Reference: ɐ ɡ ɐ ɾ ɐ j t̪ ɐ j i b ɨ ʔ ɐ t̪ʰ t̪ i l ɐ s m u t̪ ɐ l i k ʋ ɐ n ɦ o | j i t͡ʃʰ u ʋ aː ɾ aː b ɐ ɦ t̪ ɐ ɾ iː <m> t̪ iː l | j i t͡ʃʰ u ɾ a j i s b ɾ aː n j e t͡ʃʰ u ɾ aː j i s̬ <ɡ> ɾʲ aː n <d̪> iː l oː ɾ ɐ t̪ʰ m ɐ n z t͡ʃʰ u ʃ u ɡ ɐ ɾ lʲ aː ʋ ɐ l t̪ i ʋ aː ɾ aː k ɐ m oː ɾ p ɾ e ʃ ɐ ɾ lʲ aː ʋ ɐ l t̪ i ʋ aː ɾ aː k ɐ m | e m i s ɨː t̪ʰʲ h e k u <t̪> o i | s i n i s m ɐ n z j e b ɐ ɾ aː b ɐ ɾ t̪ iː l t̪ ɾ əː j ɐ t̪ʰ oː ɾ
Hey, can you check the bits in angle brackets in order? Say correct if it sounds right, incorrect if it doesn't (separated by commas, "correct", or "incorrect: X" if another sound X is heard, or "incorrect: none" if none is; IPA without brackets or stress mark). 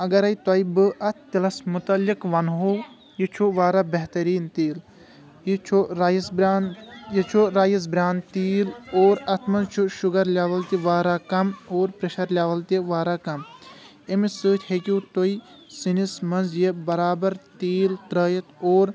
incorrect: n, incorrect: b, incorrect: t̪, correct